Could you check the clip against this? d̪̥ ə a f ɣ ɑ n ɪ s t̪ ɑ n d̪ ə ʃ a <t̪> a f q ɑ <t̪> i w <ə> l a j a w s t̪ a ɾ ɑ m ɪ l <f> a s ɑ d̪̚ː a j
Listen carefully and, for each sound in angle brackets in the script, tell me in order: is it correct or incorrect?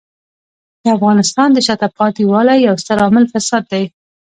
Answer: correct, correct, incorrect: ɑ, correct

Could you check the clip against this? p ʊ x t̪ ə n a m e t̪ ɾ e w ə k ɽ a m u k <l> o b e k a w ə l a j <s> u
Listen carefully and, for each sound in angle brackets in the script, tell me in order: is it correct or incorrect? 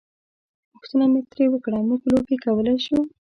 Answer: correct, incorrect: ʃ

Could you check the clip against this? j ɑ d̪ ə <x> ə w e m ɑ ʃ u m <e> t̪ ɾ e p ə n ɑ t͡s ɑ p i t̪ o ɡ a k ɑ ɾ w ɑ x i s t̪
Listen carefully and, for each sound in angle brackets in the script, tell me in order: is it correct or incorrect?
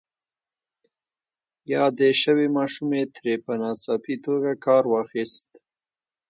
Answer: incorrect: ʃ, correct

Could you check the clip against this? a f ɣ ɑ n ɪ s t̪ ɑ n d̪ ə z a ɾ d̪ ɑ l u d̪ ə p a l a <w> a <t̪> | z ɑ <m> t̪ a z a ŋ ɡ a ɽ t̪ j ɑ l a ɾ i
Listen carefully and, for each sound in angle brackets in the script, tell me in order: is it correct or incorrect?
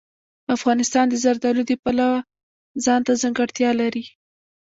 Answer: correct, incorrect: none, incorrect: n

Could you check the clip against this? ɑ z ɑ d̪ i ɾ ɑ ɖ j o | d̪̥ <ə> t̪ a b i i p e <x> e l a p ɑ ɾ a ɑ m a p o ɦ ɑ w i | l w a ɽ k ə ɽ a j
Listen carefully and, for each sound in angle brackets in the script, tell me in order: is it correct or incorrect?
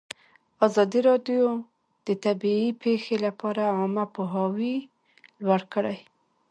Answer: correct, correct

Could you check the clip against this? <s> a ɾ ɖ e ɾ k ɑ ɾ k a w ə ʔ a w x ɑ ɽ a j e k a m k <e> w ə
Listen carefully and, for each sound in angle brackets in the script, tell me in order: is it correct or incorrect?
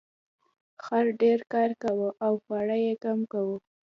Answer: incorrect: x, incorrect: a

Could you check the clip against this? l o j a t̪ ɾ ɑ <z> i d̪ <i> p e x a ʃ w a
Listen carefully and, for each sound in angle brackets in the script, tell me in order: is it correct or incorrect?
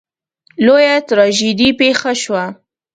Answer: incorrect: ʒ, correct

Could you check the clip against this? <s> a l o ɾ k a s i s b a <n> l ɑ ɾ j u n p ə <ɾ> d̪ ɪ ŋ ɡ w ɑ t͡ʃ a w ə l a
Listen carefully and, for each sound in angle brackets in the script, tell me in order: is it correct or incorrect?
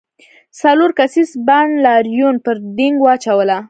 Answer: correct, correct, correct

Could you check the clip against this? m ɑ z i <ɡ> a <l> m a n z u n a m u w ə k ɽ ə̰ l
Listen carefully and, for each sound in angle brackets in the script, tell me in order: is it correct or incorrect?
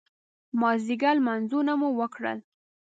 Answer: correct, correct

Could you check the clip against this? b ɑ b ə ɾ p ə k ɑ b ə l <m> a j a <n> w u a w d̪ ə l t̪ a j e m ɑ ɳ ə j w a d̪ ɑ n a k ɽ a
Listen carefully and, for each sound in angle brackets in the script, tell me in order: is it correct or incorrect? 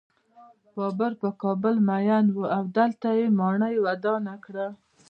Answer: correct, correct

